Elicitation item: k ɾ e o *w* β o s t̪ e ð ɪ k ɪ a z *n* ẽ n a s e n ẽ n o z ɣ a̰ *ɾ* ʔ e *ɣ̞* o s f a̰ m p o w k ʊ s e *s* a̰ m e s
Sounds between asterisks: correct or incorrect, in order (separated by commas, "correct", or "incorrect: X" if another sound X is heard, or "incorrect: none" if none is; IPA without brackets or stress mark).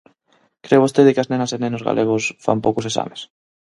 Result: incorrect: none, correct, incorrect: l, correct, correct